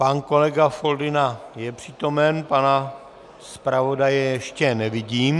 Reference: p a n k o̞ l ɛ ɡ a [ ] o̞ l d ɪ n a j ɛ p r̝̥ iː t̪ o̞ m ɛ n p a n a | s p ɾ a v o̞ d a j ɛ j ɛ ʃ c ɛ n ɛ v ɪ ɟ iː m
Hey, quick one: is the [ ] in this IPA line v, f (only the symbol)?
f